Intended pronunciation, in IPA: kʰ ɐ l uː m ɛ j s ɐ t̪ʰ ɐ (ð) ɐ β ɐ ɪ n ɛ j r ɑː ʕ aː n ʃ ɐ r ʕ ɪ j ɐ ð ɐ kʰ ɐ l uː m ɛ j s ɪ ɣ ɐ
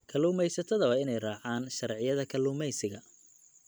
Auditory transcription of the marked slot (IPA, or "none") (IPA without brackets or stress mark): ð